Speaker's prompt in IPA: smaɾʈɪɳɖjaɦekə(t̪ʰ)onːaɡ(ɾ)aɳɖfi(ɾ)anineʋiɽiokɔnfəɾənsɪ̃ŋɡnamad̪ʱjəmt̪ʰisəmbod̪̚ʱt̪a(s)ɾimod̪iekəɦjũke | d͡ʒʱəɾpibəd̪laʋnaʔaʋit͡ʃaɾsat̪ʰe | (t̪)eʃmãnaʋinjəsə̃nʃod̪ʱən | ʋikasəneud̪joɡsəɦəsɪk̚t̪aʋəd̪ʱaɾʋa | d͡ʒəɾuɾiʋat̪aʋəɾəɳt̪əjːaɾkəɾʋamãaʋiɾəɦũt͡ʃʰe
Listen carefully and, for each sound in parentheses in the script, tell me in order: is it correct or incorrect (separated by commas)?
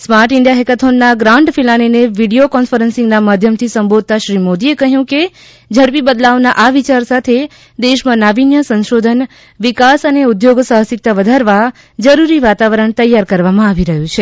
correct, correct, incorrect, incorrect, incorrect